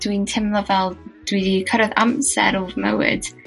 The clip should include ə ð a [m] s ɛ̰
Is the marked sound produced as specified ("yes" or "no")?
yes